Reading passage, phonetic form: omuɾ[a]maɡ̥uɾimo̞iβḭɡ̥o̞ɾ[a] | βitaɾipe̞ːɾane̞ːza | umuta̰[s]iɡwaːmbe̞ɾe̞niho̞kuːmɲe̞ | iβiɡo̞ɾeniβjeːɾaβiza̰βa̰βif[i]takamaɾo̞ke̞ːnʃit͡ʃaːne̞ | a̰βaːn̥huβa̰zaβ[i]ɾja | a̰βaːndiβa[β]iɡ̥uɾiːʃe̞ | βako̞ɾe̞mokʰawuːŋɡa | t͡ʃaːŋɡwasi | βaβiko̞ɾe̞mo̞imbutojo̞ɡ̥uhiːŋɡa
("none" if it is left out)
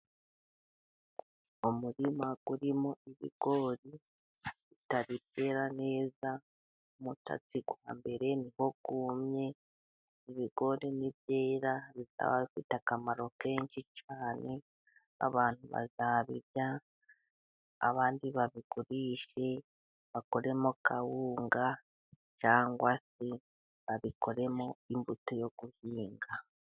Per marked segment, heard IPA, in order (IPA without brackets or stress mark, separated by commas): i, i, t͡s, i, i, β